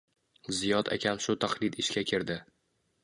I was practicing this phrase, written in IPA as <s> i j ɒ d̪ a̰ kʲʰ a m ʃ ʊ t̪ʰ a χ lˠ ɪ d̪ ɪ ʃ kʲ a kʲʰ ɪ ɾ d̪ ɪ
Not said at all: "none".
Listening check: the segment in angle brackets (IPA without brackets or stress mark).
z